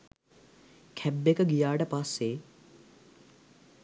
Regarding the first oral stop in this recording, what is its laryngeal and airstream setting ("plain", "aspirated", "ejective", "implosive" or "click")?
aspirated